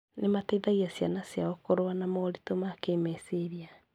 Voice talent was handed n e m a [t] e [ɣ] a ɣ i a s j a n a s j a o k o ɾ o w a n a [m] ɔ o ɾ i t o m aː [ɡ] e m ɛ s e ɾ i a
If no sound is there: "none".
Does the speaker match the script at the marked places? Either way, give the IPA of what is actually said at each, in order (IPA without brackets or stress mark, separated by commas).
t, ð, m, k